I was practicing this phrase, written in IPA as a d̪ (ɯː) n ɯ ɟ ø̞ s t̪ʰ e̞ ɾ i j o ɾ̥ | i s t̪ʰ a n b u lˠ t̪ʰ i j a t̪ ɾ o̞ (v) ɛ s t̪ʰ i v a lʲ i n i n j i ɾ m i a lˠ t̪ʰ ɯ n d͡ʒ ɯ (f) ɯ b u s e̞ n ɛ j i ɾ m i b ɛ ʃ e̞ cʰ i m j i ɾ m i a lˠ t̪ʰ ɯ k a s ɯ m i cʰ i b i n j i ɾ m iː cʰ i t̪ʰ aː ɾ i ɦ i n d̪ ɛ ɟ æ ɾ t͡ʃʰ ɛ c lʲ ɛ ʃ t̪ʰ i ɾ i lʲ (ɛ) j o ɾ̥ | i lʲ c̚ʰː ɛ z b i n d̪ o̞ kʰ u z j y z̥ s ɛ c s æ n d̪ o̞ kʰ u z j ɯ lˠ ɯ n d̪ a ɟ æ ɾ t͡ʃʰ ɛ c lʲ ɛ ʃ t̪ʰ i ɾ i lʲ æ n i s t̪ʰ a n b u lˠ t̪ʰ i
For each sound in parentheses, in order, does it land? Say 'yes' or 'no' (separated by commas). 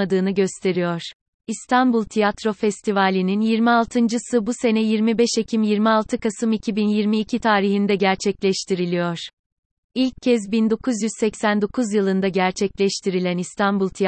yes, no, no, no